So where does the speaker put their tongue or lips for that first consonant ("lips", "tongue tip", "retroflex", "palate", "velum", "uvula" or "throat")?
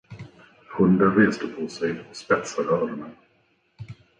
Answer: throat